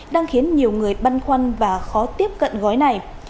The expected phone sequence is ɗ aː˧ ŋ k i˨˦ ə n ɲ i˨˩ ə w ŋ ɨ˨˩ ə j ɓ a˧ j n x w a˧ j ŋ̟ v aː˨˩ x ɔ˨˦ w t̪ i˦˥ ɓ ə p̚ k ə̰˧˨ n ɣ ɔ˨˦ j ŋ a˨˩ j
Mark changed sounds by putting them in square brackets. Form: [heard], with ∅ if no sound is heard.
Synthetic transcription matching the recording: ɗ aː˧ ŋ [x] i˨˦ ə n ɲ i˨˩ ə w ŋ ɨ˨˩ ə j ɓ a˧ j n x w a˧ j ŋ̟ v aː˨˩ x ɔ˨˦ [∅] t̪ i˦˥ [∅] ə p̚ k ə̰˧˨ n ɣ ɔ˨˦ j [n] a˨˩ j

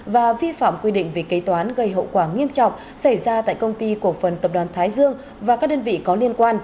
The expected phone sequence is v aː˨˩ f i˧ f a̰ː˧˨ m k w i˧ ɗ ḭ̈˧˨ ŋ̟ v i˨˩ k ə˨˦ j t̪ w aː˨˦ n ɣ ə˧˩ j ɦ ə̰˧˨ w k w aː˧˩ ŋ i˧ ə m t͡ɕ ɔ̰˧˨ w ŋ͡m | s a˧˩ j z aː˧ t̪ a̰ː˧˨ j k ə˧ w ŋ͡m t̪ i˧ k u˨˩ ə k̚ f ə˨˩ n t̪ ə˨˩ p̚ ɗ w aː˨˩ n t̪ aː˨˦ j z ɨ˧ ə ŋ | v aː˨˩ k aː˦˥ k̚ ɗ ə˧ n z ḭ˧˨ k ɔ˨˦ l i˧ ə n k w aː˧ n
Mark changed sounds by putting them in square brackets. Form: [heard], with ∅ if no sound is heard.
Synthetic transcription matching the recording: v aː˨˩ [v] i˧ f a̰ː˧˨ m k w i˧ ɗ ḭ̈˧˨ ŋ̟ v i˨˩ k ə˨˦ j t̪ w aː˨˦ n ɣ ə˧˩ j ɦ ə̰˧˨ w k w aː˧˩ ŋ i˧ ə m t͡ɕ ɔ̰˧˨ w ŋ͡m | s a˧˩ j z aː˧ t̪ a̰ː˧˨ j k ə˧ w ŋ͡m t̪ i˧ k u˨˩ ə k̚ f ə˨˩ n t̪ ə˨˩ p̚ ɗ w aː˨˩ n [t̪ʰ] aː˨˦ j z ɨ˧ ə ŋ | v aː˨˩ k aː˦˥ k̚ ɗ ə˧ n [v] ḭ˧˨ k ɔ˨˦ l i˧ ə n k w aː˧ n

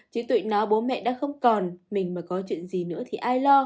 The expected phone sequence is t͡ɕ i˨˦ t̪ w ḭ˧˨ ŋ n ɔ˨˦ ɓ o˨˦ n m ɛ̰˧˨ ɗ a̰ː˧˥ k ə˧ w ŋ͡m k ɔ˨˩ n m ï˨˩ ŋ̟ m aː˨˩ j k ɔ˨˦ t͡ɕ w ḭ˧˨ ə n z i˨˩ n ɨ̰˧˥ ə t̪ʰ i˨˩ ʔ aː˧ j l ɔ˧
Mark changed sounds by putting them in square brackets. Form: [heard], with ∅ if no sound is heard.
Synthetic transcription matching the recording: t͡ɕ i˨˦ t̪ w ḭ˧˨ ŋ n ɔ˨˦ ɓ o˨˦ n m ɛ̰˧˨ ɗ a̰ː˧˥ [x] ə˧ w ŋ͡m k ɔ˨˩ n m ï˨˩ ŋ̟ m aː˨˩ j k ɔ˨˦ t͡ɕ w ḭ˧˨ ə n z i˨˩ n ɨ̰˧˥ ə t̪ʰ i˨˩ ʔ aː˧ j l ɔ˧

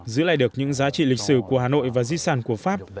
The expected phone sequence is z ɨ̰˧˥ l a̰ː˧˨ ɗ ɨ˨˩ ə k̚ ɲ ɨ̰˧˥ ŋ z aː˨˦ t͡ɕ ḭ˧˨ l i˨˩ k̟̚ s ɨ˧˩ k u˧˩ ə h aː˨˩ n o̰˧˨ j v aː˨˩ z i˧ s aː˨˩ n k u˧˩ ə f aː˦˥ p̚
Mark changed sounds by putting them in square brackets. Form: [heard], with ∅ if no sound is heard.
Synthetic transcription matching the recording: z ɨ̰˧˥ l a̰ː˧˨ ɗ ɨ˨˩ ə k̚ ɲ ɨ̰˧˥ ŋ z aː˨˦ t͡ɕ ḭ˧˨ l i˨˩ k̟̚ s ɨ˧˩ k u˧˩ ə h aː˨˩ n o̰˧˨ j v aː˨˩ z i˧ s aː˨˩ n k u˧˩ ə f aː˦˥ p̚

